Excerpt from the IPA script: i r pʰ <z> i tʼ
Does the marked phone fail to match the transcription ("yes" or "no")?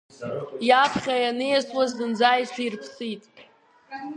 yes